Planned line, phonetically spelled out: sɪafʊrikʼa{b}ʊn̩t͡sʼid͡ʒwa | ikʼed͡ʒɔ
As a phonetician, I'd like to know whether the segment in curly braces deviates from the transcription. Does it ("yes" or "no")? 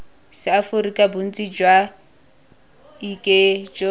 no